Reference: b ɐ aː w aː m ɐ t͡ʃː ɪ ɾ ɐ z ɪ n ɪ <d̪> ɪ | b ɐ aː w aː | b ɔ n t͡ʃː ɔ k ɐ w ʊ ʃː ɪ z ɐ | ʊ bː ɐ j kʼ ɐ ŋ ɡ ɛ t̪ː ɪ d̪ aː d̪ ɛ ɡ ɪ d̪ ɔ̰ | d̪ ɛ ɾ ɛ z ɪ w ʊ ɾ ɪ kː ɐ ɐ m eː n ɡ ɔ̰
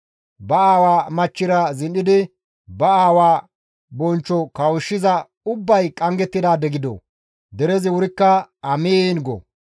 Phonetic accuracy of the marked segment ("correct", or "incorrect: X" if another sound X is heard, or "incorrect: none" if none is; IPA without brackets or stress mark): correct